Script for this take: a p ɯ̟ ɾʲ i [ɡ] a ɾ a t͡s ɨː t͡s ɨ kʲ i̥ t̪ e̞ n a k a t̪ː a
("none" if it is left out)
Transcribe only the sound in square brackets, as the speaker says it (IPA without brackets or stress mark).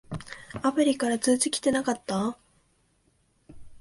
k